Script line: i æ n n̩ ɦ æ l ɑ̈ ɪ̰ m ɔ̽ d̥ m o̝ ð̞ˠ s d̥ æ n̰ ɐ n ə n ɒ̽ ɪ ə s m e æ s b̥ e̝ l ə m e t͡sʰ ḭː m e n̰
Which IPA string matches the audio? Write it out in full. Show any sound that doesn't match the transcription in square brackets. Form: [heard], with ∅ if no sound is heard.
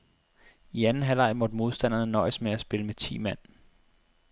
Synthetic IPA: i æ n n̩ ɦ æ l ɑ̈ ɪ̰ m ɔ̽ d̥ m o̝ ð̞ˠ s d̥ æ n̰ ɐ n ə n ɒ̽ ɪ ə s m e æ s b̥ e̝ l ə m e t͡sʰ ḭː m [æ] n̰